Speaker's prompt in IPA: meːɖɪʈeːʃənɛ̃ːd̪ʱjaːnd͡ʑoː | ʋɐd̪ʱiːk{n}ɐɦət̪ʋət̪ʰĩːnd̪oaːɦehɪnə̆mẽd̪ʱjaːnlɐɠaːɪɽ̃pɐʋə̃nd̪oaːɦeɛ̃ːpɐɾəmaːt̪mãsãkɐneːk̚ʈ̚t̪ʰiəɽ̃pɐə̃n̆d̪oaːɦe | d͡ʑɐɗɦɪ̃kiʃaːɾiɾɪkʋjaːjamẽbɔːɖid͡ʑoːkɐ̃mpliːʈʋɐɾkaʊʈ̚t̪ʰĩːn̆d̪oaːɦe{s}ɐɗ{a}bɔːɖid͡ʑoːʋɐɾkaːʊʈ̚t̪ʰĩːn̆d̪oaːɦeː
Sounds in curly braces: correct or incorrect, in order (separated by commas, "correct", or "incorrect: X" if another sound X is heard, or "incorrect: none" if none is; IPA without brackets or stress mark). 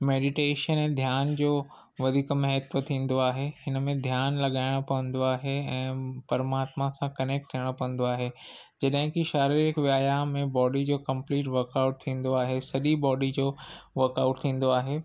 incorrect: m, correct, incorrect: i